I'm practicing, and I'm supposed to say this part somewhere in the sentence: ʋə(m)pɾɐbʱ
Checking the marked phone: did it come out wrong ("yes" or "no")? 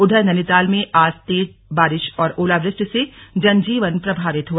yes